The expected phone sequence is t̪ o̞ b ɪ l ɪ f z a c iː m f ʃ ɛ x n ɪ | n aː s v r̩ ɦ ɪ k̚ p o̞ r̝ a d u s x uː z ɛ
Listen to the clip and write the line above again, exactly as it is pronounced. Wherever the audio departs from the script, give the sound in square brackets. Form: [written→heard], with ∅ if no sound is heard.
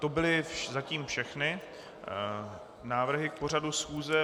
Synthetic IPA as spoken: t̪ o̞ b ɪ l ɪ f z a c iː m f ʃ ɛ x n ɪ | n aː [s→∅] v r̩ ɦ ɪ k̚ p o̞ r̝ a d u s x uː z ɛ